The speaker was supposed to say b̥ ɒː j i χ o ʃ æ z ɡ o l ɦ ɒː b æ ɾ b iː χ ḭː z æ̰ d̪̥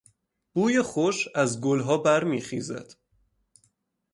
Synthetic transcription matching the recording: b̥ uː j e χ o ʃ æ z ɡ o l ɦ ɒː b æ ɾ m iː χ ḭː z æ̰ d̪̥

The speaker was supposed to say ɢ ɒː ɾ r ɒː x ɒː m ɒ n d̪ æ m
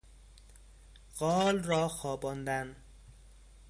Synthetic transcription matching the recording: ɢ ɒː l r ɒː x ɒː b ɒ n d̪ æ n

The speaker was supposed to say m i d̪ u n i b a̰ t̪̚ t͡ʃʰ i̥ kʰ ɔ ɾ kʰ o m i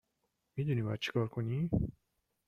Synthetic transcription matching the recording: m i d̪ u n i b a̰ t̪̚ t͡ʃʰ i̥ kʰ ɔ ɾ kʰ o n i

